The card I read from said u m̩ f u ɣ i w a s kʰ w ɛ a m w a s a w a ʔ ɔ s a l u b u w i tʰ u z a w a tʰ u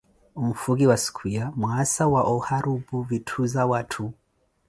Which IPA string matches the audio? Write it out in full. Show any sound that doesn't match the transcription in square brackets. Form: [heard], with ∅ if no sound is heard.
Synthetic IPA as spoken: u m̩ f u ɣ i w a s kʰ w [i] a m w a s a w a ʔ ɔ [h] a [ɾ] u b u [v] i tʰ u z a w a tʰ u